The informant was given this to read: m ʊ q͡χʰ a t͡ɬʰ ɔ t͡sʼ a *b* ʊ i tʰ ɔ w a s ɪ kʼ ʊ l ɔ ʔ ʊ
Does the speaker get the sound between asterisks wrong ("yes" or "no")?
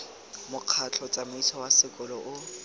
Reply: yes